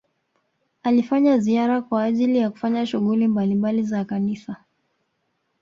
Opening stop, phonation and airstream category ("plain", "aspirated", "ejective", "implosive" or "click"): plain